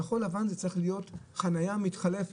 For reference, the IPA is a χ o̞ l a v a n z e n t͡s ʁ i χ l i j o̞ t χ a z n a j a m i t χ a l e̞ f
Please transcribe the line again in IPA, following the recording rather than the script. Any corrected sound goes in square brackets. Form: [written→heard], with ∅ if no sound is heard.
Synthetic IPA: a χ o̞ l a v a n z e [n→∅] t͡s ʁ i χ l i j o̞ t χ a [z→∅] n a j a m i t χ a l e̞ f